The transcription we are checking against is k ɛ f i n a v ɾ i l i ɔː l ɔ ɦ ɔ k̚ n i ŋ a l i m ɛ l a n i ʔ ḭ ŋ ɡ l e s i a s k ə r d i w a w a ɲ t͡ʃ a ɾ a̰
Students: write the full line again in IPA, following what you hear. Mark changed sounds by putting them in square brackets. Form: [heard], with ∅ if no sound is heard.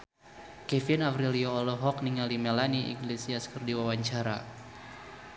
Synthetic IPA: k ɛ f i n a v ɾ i l i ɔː l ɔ ɦ ɔ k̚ n i ŋ a l i m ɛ l a n i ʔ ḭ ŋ ɡ l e s i a s k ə r d i w a w a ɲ t͡ʃ a ɾ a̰